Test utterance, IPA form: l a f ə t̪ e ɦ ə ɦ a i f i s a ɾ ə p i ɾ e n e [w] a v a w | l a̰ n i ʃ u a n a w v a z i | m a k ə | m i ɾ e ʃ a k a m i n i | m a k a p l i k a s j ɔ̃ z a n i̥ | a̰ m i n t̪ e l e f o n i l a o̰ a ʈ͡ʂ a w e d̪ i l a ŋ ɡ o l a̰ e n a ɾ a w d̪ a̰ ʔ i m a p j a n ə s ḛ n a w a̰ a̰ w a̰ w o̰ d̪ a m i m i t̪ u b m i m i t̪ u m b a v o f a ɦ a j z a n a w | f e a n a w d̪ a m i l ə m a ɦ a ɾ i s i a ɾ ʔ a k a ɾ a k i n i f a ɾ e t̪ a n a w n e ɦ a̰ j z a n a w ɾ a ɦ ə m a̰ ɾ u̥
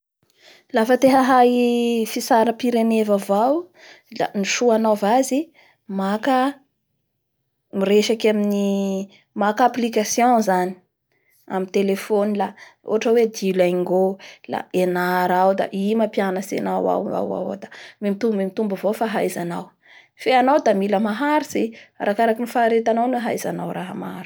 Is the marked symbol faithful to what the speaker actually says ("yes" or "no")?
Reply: no